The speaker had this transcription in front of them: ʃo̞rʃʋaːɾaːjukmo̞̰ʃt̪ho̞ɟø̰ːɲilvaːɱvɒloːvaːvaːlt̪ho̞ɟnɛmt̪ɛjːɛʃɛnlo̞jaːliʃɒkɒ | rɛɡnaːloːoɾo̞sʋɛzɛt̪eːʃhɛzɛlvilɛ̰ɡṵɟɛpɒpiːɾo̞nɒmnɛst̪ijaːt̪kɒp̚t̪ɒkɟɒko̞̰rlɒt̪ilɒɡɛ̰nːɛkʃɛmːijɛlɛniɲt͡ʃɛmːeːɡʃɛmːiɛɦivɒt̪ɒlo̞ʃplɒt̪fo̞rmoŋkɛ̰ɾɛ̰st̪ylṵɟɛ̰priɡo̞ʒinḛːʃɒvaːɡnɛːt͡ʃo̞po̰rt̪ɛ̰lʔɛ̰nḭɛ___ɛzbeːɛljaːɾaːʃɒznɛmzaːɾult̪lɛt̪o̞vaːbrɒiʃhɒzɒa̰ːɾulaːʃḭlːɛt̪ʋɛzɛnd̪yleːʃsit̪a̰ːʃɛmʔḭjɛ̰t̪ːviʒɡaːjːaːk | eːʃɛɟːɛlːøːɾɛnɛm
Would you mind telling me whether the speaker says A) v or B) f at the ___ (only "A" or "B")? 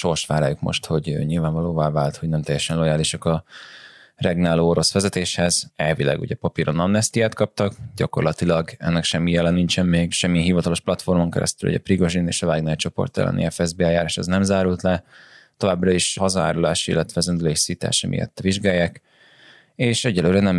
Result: B